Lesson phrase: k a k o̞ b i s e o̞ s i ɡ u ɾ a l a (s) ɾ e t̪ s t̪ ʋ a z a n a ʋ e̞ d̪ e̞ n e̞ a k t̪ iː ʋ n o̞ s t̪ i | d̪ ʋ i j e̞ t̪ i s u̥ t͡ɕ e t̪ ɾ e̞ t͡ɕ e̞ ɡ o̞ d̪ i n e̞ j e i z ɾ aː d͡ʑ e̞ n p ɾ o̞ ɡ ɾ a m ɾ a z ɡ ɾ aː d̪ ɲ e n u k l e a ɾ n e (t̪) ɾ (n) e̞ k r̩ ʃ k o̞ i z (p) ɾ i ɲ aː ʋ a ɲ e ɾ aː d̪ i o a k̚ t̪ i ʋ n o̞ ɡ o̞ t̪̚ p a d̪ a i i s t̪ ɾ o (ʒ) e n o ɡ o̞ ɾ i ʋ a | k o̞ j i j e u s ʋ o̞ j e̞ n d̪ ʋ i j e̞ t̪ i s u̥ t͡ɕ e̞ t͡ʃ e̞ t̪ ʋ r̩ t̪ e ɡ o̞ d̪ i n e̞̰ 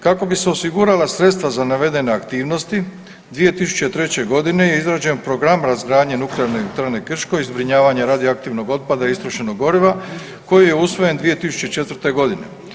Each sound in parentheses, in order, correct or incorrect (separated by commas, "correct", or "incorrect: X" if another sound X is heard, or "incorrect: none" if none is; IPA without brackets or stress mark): correct, correct, correct, incorrect: b, incorrect: ʃ